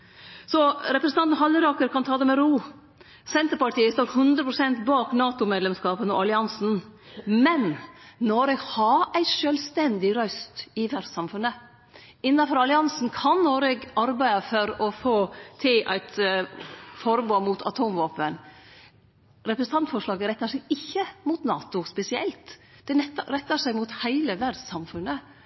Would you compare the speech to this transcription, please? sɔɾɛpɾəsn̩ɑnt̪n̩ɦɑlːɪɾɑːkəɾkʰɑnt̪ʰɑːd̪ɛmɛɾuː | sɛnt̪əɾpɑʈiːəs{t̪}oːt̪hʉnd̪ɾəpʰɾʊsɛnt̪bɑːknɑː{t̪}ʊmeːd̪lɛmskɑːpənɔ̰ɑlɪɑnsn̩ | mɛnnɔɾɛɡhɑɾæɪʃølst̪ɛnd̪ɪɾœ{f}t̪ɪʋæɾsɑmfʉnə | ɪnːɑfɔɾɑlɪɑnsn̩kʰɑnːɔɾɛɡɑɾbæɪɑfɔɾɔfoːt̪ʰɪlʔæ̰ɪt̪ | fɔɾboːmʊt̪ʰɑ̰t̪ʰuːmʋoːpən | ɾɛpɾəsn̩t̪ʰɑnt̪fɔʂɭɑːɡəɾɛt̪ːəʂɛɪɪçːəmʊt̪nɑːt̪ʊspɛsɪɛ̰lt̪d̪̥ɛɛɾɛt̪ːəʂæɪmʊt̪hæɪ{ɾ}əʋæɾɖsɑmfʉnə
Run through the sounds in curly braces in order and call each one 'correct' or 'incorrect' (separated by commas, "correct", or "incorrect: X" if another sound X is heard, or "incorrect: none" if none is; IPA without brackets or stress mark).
correct, correct, incorrect: s, incorrect: l